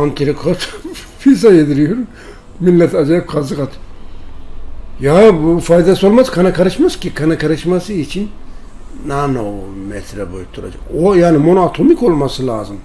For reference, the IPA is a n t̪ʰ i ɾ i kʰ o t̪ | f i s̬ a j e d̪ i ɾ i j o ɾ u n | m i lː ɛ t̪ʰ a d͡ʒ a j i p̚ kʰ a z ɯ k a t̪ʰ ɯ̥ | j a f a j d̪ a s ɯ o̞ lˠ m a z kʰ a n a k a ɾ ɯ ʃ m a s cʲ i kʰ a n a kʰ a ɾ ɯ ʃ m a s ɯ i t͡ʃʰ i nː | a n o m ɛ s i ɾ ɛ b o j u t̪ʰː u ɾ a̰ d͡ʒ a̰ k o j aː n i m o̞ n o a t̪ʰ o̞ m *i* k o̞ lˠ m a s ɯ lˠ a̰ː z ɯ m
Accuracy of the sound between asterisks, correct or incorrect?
correct